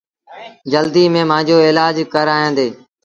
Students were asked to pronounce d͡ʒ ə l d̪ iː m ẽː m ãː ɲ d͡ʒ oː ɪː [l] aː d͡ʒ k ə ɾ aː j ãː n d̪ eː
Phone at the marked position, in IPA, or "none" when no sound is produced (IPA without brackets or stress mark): l